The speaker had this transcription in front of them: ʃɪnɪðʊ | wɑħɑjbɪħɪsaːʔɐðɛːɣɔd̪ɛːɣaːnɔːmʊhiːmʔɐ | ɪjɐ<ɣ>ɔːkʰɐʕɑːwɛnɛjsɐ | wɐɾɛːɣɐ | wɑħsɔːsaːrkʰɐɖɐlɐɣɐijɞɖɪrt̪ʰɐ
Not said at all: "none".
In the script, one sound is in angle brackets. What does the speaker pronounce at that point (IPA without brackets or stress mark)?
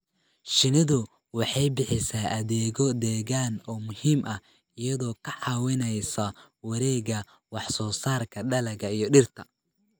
ð